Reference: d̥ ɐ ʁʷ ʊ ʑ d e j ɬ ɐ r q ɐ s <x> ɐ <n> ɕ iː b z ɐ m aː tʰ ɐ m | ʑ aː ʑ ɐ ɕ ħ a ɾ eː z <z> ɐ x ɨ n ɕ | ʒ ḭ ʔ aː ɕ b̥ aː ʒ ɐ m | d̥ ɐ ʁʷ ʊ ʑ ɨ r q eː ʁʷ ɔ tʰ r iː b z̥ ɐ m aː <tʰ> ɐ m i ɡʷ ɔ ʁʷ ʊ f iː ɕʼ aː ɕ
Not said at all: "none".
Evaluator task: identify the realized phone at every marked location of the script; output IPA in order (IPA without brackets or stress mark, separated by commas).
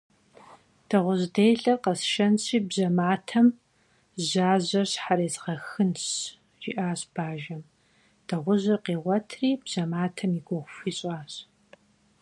ʃ, n, ʁ, tʰ